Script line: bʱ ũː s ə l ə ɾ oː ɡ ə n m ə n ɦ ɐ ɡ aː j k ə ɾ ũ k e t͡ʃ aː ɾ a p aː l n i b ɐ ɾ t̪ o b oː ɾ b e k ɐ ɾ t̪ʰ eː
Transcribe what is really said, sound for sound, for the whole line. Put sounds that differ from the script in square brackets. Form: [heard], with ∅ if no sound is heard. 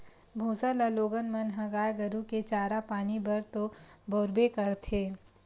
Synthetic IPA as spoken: bʱ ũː s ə l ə [l] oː ɡ ə n m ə n ɦ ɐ ɡ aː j [ɡ] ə ɾ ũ k e t͡ʃ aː ɾ a p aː [∅] n i b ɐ ɾ t̪ o b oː ɾ b e k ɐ ɾ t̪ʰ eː